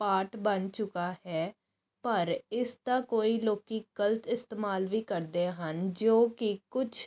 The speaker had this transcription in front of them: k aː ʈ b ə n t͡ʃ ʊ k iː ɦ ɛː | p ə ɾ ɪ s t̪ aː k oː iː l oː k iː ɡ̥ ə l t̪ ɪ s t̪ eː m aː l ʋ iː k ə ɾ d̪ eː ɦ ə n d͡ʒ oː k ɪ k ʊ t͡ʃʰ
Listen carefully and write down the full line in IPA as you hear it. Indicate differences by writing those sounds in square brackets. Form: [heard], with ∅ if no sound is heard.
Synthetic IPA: [p] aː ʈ b ə n t͡ʃ ʊ k [aː] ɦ ɛː | p ə ɾ ɪ s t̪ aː k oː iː l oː k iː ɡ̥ ə l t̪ ɪ s t̪ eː m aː l ʋ iː k ə ɾ d̪ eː ɦ ə n d͡ʒ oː k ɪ k ʊ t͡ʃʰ